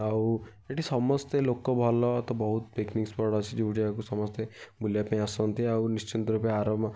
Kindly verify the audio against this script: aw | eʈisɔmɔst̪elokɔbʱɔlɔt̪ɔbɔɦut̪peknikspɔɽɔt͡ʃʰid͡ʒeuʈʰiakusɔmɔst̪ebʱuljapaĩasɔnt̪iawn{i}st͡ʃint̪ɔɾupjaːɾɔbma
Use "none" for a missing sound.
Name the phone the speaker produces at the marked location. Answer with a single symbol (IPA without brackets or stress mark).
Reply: i